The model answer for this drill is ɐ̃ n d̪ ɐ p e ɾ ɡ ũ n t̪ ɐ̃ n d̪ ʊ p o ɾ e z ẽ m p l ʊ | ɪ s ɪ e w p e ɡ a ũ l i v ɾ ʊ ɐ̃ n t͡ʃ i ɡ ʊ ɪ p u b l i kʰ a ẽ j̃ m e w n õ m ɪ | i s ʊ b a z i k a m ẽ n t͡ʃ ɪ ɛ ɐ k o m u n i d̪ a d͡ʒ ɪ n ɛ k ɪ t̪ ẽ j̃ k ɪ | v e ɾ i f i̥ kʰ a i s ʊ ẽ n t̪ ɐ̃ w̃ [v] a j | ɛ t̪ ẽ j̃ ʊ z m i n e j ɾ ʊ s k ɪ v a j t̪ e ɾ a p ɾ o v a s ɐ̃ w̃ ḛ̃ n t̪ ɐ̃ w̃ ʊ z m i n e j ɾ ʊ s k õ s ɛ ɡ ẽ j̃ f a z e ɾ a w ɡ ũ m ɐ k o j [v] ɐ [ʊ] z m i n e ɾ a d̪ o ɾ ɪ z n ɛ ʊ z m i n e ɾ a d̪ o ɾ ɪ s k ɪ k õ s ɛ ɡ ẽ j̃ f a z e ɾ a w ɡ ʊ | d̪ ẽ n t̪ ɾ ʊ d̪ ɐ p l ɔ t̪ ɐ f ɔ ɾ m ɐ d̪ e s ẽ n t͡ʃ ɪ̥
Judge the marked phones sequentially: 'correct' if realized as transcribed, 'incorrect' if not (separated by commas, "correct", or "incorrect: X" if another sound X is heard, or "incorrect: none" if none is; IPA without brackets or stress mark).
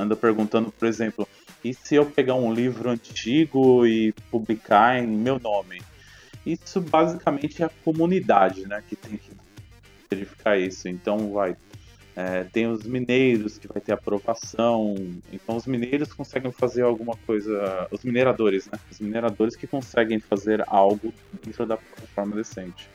correct, incorrect: z, correct